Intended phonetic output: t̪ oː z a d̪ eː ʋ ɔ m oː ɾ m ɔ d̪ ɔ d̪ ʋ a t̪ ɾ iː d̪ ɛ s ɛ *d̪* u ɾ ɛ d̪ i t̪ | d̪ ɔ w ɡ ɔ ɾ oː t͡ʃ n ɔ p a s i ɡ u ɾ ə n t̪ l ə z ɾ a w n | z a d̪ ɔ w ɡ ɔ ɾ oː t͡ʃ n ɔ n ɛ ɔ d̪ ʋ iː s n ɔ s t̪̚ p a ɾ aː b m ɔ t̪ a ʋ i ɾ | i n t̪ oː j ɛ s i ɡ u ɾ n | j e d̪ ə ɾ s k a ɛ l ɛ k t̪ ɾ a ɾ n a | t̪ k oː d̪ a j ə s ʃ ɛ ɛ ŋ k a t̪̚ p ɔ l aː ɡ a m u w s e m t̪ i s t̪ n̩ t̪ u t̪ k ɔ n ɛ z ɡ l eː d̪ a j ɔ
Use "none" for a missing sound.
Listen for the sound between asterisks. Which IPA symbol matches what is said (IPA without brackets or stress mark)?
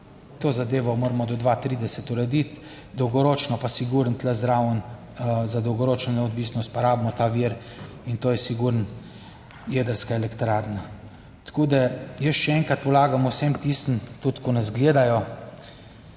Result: t̪